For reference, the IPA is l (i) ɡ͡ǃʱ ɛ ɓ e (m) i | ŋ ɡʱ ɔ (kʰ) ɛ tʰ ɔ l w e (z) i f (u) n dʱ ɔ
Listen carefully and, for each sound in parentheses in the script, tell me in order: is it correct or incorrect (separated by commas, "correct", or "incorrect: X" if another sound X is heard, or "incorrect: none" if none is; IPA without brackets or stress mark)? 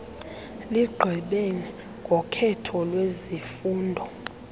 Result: correct, incorrect: n, correct, correct, incorrect: uː